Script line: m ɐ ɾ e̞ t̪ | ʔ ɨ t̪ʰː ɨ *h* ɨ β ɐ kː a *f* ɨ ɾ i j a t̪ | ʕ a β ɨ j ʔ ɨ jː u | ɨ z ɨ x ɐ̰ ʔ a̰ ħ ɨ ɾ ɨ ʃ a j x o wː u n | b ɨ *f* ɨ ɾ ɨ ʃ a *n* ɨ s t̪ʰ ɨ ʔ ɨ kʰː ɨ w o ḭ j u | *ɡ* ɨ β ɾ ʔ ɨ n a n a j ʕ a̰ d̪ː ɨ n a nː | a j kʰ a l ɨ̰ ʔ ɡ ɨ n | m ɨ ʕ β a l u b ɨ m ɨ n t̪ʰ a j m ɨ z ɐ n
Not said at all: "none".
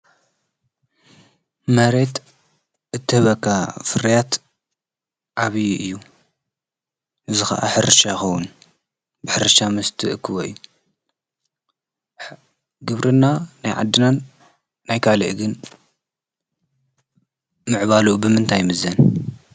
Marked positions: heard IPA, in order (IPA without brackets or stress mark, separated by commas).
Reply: h, f, ħ, m, ɡ